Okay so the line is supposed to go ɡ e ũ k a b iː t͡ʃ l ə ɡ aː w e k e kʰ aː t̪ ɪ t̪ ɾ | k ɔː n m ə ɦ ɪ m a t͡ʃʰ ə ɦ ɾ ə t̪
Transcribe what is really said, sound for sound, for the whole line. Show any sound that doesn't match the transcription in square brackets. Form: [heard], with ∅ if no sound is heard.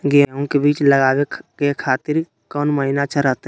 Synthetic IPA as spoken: ɡ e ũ k [e] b iː t͡ʃ l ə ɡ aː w e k e kʰ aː t̪ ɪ [∅] ɾ | k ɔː n m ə ɦ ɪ [n] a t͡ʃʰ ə [∅] ɾ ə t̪